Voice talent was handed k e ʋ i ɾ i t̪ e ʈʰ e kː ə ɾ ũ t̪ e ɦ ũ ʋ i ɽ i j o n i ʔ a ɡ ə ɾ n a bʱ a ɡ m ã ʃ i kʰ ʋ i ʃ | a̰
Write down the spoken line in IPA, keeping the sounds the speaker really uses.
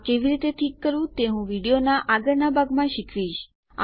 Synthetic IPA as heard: k e ʋ i ɾ i t̪ e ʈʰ i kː ə ɾ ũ t̪ e ɦ ũ ʋ i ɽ i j o n a ʔ a ɡ ə ɾ n a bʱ a ɡ m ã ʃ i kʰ ʋ i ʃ | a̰